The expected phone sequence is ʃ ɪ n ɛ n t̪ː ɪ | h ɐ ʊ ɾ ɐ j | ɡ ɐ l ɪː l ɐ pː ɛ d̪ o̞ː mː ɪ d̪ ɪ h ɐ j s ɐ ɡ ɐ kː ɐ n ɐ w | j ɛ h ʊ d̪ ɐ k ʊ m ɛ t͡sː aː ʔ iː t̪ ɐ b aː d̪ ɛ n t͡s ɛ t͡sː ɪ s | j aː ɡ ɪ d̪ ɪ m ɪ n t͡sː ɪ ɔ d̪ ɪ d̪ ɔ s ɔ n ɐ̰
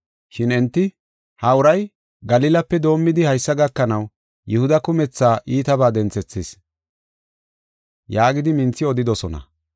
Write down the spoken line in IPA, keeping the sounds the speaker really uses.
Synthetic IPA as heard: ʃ ɪ n ɛ n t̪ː ɪ | h ɐ ʊ ɾ ɐ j | ɡ ɐ l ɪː l ɐ pː ɛ d̪ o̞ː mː ɪ d̪ ɪ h ɐ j sː ɐ ɡ ɐ kː ɐ n ɐ w | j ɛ h ʊ d̪ ɐ k ʊ m ɛ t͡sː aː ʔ iː t̪ ɐ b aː d̪ ɛ n t͡s ɛ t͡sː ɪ s | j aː ɡ ɪ d̪ ɪ m ɪ n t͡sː ɪ ɔ d̪ ɪ d̪ ɔ s ɔ n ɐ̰